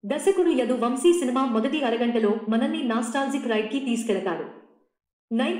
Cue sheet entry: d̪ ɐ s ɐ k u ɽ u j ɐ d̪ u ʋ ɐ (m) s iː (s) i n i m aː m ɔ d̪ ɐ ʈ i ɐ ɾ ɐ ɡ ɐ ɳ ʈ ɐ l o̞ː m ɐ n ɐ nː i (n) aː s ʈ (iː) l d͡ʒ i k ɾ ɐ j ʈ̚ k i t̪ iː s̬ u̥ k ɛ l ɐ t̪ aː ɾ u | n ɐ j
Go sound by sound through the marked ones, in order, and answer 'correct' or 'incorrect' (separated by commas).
correct, correct, correct, incorrect